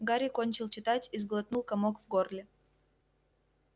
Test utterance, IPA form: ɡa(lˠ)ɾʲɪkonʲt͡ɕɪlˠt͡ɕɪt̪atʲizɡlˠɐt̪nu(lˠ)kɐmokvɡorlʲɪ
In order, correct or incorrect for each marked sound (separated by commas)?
incorrect, correct